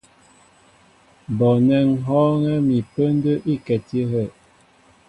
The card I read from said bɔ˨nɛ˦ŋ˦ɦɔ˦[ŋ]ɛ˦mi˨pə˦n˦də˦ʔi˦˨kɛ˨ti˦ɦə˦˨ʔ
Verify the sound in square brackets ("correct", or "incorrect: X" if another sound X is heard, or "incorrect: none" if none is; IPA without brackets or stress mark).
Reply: correct